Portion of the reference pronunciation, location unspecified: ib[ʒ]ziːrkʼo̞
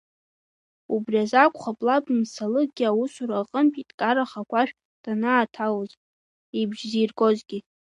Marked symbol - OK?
yes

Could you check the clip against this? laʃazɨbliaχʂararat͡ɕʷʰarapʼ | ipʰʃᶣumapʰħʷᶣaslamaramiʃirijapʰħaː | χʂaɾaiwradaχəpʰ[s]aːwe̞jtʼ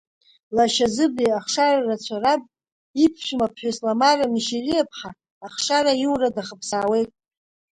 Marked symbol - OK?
yes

